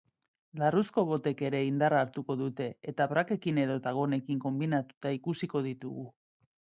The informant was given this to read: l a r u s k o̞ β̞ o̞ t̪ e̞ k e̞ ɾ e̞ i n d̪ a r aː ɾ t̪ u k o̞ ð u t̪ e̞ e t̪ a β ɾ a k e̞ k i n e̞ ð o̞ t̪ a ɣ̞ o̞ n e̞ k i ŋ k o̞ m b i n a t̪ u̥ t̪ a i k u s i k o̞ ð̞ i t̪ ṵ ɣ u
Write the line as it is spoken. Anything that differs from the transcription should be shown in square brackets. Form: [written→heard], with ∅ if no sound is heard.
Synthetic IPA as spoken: l a r u s k o̞ β̞ o̞ t̪ e̞ k e̞ ɾ e̞ i n d̪ a r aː ɾ t̪ u k o̞ ð u t̪ e̞ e t̪ a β ɾ a k e̞ k i n e̞ ð o̞ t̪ a ɣ̞ o̞ n e̞ k i ŋ k o̞ m b i n a t̪ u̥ t̪ a i k u s i k o̞ ð̞ i t̪ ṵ ɣ u